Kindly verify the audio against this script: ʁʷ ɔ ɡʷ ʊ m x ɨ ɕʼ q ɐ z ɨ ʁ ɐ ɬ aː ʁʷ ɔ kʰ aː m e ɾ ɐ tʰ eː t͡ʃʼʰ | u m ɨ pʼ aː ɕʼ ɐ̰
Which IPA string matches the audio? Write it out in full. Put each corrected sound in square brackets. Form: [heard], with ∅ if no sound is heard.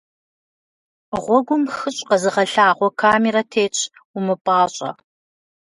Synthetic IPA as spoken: ʁʷ ɔ ɡʷ ʊ m x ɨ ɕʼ q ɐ z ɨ ʁ ɐ ɬ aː ʁʷ ɔ kʰ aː m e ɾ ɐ tʰ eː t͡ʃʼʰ | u m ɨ pʼ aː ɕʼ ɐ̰